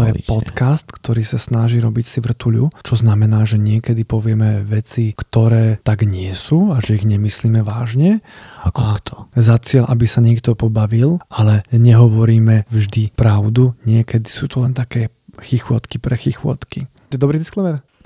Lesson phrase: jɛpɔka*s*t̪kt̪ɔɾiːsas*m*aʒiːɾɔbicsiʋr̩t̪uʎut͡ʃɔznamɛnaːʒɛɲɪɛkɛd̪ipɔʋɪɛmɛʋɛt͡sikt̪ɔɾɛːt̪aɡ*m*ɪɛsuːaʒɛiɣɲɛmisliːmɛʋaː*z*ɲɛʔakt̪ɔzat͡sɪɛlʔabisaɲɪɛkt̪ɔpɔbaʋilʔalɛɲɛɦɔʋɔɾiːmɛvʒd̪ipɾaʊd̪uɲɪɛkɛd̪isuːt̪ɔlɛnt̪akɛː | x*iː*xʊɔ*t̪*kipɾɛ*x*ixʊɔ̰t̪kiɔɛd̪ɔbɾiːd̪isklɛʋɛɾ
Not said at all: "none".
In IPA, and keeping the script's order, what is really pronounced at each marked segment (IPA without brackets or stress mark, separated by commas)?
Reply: s, n, ɲ, ʒ, i, t̪, x